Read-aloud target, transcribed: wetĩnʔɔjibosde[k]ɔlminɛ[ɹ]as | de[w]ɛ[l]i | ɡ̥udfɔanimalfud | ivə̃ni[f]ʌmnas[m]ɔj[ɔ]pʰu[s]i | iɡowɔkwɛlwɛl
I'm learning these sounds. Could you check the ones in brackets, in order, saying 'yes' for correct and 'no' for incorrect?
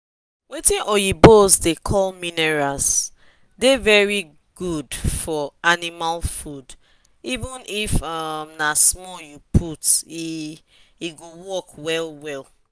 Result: no, yes, no, no, yes, yes, no, no

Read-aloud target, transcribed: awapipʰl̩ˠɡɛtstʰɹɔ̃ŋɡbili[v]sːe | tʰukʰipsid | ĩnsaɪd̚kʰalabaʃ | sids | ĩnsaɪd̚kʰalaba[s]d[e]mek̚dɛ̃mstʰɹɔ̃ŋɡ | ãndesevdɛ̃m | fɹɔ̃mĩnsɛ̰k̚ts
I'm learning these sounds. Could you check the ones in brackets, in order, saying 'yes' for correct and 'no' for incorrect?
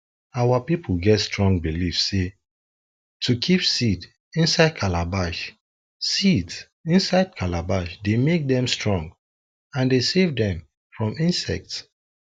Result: no, no, yes

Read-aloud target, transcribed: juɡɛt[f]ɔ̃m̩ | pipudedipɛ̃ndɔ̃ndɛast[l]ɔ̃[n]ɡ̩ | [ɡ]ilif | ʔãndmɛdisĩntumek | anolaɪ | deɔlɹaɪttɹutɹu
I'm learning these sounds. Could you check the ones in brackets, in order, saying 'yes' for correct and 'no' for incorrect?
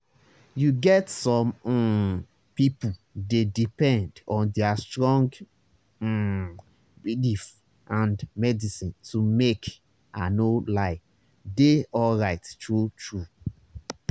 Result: no, no, no, no

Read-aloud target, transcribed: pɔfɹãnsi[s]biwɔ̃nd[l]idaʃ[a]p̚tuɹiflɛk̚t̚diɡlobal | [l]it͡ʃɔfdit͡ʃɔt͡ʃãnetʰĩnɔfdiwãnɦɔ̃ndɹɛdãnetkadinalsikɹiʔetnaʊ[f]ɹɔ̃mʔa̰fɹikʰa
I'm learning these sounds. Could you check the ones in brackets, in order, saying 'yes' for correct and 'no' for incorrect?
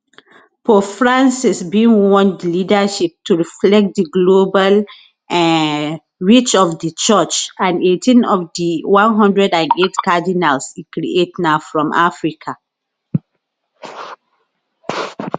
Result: yes, yes, no, no, yes

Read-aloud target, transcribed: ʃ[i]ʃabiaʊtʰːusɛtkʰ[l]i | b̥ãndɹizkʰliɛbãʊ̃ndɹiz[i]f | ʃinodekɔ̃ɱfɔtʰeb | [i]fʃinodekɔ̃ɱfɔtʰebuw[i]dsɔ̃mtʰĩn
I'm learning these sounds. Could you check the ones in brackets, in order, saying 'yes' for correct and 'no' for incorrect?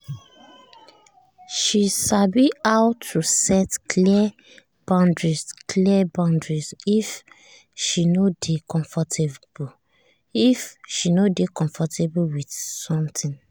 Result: yes, yes, yes, yes, yes

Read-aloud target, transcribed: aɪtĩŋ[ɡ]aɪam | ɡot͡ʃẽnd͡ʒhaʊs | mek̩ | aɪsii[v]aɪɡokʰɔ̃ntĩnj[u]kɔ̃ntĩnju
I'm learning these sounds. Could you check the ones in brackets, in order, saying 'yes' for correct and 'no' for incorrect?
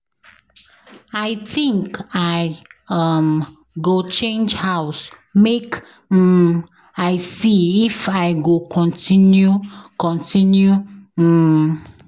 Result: no, no, yes

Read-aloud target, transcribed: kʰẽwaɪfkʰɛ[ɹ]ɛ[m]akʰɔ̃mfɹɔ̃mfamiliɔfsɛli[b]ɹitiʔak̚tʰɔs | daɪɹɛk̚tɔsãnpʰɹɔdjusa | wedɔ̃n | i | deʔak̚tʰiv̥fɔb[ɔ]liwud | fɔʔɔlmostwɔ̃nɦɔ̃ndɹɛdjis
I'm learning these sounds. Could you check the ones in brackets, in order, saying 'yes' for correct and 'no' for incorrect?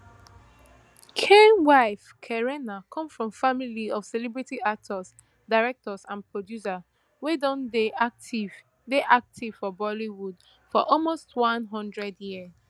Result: yes, no, yes, yes

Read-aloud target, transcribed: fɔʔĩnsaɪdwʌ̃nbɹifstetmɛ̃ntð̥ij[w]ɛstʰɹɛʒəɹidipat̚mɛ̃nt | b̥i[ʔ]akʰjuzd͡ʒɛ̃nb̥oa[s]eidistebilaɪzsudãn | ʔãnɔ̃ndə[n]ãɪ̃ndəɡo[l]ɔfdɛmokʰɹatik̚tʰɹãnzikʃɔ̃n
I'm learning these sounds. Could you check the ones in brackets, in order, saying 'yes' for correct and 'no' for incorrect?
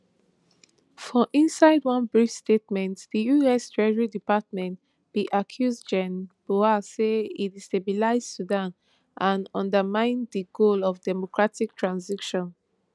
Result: no, yes, yes, no, yes

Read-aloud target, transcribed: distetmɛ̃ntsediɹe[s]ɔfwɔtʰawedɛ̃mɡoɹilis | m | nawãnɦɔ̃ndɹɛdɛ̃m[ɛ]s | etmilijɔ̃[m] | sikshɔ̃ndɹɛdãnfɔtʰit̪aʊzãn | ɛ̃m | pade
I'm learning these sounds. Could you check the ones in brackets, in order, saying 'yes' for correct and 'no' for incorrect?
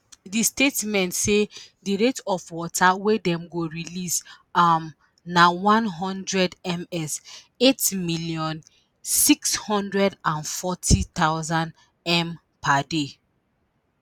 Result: no, yes, no

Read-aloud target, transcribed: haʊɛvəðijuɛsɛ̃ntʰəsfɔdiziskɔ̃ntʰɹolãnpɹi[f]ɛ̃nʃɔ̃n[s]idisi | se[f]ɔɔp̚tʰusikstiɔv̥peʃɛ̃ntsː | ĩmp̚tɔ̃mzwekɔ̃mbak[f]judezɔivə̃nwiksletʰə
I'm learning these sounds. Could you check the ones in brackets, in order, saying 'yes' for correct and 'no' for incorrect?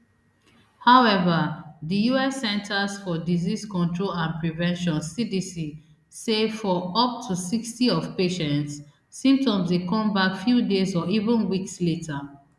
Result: no, yes, yes, yes

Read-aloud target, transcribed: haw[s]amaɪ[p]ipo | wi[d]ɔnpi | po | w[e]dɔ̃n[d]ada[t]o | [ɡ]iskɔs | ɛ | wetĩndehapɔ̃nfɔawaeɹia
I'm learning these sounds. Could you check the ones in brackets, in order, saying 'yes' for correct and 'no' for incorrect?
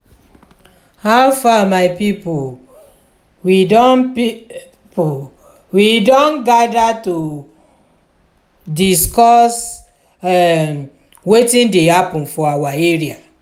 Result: no, yes, yes, no, no, yes, no

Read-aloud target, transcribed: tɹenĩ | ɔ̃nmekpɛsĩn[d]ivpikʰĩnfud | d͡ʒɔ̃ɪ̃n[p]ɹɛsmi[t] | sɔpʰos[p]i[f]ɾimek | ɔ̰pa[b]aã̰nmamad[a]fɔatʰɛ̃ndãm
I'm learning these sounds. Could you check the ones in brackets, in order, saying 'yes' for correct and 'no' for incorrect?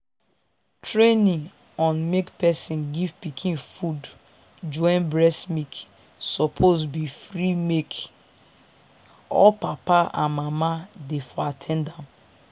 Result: no, no, no, no, yes, no, no

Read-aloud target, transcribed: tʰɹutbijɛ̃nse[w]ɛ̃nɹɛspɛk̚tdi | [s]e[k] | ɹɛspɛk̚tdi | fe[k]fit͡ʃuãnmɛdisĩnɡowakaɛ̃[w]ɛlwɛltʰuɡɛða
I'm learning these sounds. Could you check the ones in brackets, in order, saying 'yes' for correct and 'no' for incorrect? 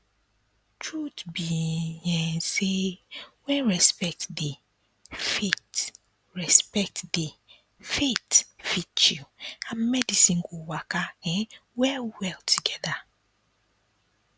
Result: yes, no, no, no, yes

